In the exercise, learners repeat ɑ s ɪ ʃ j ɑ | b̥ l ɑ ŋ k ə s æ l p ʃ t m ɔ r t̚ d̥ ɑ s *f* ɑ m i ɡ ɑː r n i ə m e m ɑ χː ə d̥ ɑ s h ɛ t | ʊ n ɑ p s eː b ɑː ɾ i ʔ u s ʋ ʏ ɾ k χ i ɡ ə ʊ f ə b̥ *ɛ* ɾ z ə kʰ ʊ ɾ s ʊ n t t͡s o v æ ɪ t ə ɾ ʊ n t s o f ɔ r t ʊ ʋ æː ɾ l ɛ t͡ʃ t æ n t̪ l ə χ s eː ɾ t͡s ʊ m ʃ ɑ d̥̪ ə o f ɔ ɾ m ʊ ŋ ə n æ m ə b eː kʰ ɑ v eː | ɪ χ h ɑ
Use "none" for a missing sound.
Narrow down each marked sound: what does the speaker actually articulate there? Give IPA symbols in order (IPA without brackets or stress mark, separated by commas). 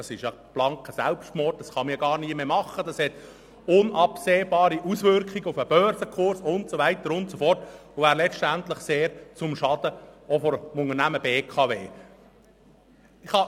χ, œ